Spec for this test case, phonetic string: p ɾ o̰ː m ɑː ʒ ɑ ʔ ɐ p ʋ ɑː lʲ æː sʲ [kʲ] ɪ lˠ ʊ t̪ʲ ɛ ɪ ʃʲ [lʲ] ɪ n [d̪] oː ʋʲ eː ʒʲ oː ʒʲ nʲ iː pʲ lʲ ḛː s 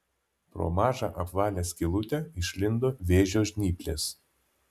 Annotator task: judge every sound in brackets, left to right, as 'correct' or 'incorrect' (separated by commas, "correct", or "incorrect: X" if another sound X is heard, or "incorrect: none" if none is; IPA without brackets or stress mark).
correct, correct, correct